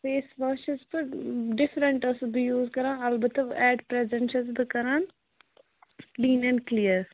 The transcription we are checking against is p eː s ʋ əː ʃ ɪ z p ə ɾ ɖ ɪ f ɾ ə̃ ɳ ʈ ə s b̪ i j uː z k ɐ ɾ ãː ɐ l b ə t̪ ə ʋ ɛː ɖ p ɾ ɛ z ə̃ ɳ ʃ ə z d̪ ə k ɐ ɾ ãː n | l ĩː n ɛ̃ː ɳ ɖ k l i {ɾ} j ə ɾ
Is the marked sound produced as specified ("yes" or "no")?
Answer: no